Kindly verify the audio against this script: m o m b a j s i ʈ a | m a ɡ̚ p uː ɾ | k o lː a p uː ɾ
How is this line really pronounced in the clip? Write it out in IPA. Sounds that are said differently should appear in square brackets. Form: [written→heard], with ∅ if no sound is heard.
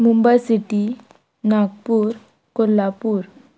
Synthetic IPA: m [o→u] m b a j s i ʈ [a→i] | [m→n] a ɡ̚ p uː ɾ | k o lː a p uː ɾ